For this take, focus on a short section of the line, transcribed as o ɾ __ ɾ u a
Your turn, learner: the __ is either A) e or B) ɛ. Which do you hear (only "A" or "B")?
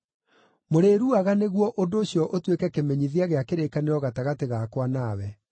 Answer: A